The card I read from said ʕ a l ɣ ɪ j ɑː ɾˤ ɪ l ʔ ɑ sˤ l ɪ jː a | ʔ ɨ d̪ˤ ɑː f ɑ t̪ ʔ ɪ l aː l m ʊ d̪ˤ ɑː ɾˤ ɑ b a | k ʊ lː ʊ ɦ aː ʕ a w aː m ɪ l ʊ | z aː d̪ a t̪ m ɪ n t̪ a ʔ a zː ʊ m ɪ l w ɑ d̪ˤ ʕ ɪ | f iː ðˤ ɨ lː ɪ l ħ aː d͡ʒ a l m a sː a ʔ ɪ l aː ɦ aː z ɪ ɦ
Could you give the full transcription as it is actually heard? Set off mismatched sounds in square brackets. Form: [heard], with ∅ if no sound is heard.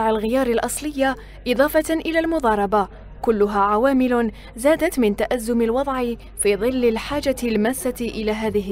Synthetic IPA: ʕ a l ɣ ɪ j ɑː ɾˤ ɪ l ʔ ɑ sˤ l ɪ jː a | ʔ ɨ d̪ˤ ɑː f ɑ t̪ ʔ ɪ l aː l m ʊ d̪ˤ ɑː ɾˤ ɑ b a | k ʊ lː ʊ ɦ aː ʕ a w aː m ɪ l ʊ | z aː d̪ a t̪ m ɪ n t̪ a ʔ a zː ʊ m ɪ l w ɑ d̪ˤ ʕ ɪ | f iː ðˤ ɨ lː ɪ l ħ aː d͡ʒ a l m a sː a ʔ ɪ l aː ɦ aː [ð] ɪ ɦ